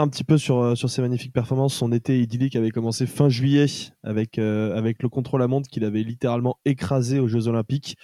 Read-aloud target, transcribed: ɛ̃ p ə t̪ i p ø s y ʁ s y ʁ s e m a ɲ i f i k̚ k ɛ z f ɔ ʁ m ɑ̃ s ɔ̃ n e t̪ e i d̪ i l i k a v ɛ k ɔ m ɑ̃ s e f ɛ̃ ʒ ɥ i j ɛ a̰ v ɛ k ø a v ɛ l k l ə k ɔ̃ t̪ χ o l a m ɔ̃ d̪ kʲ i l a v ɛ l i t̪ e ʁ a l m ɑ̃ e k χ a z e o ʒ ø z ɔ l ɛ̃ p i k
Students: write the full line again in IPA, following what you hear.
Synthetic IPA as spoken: ɛ̃ p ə t̪ i p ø s y ʁ s y ʁ s e m a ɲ i f i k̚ p ɛ ʁ f ɔ ʁ m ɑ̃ s ɔ̃ n e t̪ e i d̪ i l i k a v ɛ k ɔ m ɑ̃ s e f ɛ̃ ʒ ɥ i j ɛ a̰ v ɛ k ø a v ɛ k l ə k ɔ̃ t̪ χ o l a m ɔ̃ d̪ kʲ i l a v ɛ l i t̪ e ʁ a l m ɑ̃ e k χ a z e o ʒ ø z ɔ l ɛ̃ p i k